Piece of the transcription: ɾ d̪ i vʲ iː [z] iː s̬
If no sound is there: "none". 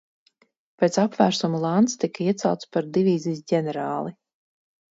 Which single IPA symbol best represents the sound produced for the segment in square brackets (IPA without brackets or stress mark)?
z